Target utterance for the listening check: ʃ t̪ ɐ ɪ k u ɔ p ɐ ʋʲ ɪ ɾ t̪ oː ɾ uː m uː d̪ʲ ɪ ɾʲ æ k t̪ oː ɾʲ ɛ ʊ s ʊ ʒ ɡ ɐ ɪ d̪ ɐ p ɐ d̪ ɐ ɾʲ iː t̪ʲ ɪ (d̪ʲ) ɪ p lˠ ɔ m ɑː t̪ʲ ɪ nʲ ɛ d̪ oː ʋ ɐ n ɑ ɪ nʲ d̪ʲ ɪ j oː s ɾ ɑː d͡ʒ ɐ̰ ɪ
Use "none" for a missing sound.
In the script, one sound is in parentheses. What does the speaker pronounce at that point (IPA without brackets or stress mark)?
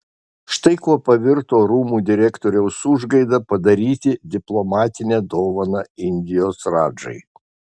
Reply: d̪ʲ